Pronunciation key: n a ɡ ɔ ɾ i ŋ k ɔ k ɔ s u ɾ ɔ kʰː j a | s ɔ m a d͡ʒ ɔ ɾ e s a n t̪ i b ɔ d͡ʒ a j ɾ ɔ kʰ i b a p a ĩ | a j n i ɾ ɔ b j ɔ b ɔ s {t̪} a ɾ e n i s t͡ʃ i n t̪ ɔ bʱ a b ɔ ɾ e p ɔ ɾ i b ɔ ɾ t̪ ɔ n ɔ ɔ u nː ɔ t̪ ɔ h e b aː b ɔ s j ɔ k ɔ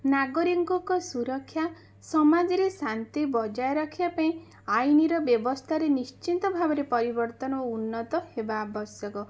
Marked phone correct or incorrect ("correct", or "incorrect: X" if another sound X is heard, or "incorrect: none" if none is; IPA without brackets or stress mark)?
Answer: incorrect: t̪ʰ